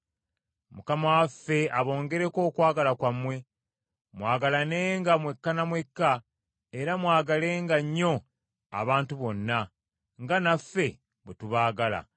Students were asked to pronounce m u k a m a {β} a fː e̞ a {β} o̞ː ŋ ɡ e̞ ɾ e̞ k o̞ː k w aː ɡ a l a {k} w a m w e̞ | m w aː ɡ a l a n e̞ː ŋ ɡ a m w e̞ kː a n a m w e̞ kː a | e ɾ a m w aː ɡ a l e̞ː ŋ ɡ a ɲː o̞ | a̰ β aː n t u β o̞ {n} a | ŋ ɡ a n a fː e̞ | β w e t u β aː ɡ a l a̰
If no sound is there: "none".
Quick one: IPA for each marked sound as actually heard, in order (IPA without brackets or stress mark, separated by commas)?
w, β, k, nː